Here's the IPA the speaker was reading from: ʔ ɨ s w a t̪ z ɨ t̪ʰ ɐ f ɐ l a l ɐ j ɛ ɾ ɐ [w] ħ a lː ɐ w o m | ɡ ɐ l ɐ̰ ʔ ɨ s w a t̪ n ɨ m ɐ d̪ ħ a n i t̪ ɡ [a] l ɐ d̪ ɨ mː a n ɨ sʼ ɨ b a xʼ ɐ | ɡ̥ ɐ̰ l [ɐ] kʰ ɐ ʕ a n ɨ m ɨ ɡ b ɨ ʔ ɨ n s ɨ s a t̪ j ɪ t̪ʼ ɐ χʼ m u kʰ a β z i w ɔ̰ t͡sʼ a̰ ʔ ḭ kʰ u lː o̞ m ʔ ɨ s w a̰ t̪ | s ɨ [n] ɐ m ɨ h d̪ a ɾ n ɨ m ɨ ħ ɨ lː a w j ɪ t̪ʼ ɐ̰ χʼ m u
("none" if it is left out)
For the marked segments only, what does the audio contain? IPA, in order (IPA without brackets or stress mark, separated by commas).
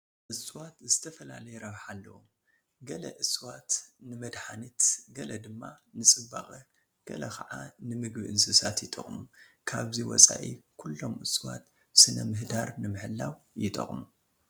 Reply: β, ɐ, ɐ, n